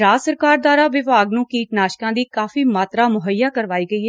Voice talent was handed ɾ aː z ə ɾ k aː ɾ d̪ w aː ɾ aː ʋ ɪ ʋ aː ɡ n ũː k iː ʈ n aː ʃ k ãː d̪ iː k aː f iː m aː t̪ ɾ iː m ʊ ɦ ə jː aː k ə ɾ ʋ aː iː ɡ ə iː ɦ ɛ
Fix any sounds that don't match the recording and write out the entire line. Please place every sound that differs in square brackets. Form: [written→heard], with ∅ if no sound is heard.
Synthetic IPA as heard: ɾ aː [z→s] ə ɾ k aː ɾ d̪ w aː ɾ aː ʋ ɪ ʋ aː ɡ n ũː k iː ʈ n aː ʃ k ãː d̪ iː k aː f iː m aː t̪ ɾ [iː→aː] m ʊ ɦ ə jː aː k ə ɾ ʋ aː iː ɡ ə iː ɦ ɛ